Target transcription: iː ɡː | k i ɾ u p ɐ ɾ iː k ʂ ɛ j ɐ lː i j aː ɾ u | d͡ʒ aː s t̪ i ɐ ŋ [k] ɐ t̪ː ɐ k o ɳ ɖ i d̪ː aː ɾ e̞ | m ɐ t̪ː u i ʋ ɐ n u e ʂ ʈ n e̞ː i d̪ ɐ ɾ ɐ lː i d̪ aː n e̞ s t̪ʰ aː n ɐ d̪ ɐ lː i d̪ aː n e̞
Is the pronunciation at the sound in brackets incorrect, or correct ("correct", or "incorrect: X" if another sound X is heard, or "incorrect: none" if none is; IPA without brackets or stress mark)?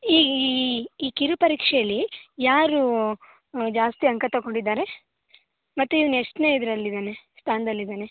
correct